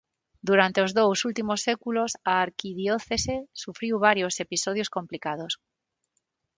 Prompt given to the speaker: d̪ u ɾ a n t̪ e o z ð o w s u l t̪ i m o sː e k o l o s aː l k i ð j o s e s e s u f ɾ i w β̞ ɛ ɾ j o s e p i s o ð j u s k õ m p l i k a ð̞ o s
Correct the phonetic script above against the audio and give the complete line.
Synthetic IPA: d̪ u ɾ a n t̪ e o z ð o w s u l t̪ i m o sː e k u l o s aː ɾ k i ð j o θ e s e s u f ɾ i w β̞ a ɾ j o s e p i s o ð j o s k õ m p l i k a ð̞ o s